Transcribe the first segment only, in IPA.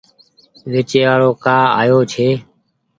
ʋ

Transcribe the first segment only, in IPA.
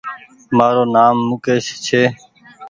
m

